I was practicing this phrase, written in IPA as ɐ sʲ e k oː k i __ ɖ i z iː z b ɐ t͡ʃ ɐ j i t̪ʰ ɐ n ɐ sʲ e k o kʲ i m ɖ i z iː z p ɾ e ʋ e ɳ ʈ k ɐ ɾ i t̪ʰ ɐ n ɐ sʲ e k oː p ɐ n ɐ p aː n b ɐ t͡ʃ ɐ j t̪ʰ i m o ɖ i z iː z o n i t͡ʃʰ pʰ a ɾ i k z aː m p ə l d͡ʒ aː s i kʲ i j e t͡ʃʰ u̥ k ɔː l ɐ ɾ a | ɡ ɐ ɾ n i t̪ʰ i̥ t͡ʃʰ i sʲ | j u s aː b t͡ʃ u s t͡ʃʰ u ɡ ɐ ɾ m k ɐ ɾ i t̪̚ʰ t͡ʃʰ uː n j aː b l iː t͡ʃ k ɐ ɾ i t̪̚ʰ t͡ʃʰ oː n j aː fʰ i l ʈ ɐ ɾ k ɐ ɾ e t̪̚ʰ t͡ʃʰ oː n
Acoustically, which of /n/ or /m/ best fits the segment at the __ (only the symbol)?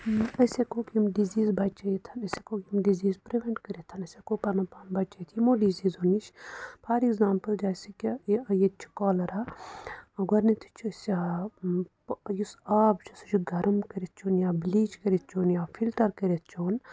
m